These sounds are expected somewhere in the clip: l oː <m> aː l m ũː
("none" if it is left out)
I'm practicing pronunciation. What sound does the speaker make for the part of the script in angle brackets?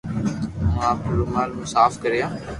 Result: m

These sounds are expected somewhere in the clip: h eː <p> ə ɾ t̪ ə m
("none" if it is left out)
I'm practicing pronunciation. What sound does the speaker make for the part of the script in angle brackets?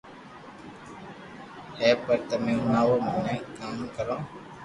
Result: p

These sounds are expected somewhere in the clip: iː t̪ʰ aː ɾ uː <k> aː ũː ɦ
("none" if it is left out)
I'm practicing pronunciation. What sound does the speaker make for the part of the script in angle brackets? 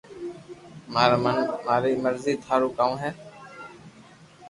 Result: k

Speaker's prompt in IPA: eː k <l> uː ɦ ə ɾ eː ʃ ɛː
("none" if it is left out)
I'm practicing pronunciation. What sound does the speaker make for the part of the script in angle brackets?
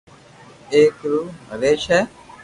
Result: ɾ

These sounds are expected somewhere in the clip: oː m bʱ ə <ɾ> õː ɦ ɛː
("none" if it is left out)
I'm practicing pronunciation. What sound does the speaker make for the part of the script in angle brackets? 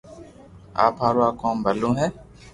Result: l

